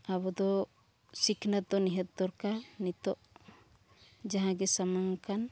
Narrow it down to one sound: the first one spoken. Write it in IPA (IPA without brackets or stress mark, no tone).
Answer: a